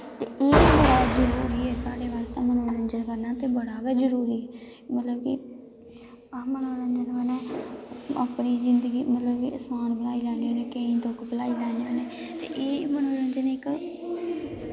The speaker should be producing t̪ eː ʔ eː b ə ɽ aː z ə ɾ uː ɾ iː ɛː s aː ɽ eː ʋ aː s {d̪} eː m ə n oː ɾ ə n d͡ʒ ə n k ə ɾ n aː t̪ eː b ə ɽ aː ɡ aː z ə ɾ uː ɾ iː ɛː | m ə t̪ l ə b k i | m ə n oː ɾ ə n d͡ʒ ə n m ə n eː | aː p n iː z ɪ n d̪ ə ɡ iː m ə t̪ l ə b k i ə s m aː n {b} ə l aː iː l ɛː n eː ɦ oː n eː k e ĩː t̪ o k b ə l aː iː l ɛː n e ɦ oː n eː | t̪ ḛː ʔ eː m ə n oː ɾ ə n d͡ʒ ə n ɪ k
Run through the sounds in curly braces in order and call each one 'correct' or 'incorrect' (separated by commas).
incorrect, correct